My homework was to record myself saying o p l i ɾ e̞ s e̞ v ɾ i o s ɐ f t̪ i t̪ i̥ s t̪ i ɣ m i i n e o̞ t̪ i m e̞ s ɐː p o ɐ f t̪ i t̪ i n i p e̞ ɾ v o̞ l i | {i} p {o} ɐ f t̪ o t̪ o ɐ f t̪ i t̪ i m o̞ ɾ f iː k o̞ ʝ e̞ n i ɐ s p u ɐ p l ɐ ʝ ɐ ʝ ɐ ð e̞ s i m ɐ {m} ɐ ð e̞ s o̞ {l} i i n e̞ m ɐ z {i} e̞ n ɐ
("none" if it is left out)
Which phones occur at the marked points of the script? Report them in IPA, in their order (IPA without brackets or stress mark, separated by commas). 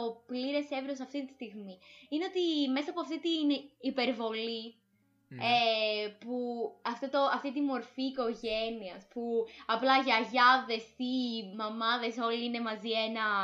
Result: e, u, m, l, i